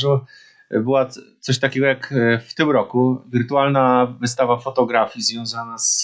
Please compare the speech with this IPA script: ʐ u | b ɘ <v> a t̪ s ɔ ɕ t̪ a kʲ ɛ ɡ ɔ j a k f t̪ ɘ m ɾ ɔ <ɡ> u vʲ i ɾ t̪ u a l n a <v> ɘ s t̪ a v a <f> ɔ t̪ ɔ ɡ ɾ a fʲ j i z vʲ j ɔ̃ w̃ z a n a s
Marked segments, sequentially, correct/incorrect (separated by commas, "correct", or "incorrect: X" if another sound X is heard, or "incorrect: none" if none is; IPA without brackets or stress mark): incorrect: w, incorrect: k, correct, correct